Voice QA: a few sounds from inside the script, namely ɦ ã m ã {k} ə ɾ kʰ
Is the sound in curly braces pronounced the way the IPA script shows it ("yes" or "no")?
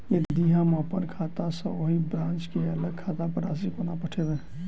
no